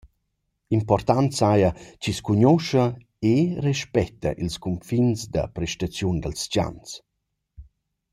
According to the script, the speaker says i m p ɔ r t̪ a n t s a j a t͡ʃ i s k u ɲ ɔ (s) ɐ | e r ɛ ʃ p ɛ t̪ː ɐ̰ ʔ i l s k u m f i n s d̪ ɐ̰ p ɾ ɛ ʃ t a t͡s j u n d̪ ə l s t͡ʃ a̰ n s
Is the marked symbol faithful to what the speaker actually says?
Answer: no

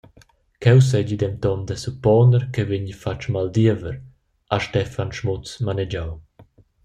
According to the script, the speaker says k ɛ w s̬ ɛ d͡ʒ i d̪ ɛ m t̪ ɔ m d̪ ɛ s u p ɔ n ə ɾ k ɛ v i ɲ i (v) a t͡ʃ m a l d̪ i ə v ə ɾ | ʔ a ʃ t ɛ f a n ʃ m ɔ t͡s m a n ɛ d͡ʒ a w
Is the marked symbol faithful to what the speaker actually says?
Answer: no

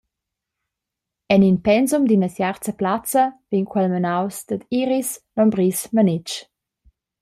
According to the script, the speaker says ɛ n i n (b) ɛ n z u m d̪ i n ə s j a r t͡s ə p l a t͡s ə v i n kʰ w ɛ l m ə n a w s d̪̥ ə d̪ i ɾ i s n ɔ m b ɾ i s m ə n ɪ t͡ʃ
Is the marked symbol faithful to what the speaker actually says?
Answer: no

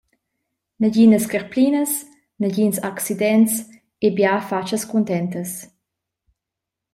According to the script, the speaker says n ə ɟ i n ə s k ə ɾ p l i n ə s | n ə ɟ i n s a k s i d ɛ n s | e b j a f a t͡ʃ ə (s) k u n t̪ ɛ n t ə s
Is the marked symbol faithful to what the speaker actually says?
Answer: yes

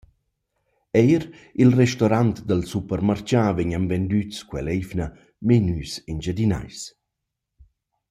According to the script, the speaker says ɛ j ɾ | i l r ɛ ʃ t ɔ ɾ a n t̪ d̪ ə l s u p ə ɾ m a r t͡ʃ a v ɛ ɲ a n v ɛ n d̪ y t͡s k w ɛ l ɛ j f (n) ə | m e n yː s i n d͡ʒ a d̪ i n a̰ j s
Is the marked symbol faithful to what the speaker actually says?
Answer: yes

